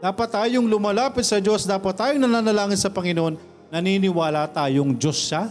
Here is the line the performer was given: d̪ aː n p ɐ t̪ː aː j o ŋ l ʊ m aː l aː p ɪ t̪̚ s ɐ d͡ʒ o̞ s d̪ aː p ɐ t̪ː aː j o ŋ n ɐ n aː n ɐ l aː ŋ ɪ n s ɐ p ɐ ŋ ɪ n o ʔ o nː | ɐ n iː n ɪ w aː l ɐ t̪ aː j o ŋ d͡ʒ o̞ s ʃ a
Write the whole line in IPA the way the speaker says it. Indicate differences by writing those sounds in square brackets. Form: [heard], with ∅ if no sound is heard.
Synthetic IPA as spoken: d̪ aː [∅] p ɐ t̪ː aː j o ŋ l ʊ m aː l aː p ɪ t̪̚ s ɐ d͡ʒ o̞ s d̪ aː p ɐ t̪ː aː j o ŋ n ɐ n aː n ɐ l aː ŋ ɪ n s ɐ p ɐ ŋ ɪ n o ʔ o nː | ɐ n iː n ɪ w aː l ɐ t̪ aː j o ŋ d͡ʒ o̞ s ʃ a